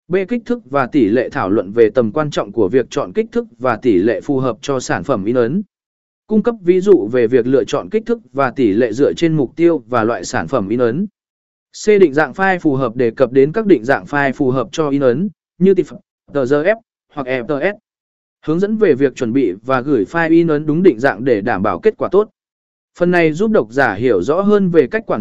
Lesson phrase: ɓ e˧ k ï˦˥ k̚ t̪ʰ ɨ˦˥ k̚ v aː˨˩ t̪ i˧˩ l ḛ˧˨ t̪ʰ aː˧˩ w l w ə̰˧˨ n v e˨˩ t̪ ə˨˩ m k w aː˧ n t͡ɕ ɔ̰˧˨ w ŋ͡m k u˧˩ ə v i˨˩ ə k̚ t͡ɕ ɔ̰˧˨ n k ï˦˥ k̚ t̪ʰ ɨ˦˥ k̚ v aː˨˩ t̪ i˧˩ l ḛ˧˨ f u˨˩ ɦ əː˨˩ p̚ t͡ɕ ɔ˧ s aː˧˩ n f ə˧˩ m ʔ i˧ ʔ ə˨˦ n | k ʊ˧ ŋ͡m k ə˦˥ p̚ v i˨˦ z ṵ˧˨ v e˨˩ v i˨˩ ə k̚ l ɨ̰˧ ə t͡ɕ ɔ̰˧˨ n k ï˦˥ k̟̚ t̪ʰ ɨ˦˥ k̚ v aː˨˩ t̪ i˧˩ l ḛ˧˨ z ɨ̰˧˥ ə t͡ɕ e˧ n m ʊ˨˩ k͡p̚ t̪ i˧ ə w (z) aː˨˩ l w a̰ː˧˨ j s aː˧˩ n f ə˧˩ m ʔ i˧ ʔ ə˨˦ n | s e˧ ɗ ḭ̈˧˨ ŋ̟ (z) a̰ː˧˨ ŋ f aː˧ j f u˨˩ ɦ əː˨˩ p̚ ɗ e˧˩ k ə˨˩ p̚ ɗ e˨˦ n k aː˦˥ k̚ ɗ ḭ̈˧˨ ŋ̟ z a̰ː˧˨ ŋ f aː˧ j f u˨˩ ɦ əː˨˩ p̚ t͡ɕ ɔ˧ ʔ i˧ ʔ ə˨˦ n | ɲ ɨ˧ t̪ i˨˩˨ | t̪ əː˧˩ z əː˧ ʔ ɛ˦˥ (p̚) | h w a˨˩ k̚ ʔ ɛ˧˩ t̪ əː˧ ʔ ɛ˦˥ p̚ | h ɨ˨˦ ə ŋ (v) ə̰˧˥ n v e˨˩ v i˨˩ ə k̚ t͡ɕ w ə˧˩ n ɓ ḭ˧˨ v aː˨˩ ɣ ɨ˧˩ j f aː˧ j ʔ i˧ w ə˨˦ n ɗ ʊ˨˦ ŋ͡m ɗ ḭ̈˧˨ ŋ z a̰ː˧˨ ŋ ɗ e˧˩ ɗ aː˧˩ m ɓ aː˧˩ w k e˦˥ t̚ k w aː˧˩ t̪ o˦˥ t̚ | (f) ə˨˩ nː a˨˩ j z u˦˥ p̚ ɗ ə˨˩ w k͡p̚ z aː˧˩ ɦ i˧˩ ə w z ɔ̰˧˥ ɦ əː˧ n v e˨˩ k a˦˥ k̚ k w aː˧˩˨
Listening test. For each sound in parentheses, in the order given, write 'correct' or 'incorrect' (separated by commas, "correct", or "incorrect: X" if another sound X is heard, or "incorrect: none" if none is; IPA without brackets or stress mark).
incorrect: v, correct, correct, incorrect: z, correct